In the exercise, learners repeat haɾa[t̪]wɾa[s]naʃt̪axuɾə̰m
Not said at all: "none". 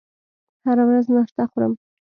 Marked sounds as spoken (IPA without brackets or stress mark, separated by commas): none, z